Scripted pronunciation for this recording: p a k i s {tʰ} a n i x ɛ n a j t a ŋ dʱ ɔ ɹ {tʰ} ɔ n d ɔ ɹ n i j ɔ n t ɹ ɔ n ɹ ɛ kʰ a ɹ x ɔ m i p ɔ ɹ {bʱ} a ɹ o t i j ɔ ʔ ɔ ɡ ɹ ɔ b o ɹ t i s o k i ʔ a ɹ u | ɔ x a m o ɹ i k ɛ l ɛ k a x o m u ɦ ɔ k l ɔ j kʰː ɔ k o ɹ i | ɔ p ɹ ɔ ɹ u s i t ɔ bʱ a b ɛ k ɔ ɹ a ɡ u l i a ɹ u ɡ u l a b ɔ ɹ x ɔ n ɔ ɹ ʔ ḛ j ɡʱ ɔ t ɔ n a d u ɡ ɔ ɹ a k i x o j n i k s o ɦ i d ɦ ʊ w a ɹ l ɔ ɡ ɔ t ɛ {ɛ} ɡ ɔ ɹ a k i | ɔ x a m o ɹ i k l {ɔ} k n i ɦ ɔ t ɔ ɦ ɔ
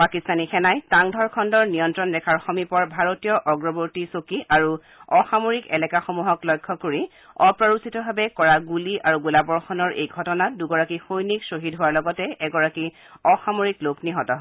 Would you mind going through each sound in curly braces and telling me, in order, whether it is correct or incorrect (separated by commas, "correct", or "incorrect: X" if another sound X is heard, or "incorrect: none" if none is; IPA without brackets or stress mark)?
incorrect: t, incorrect: kʰ, correct, correct, incorrect: o